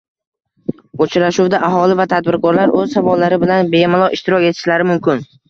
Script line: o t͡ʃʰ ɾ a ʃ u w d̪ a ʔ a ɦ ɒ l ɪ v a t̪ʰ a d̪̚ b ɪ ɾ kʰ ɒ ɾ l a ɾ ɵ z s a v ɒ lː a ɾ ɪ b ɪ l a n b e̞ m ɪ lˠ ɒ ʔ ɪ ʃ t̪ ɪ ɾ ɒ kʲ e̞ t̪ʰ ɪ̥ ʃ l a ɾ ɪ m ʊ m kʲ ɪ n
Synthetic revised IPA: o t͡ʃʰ ɾ a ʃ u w d̪ a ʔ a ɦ ɒ l ɪ v a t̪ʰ a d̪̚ b ɪ ɾ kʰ ɒ ɾ l a ɾ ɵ z s a v ɒ lː a ɾ ɪ b ɪ l a n b e̞ m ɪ lˠ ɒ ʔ ɪ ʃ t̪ ɪ ɾ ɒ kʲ e̞ t̪ʰ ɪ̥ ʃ l a ɾ ɪ m ʊ m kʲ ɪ n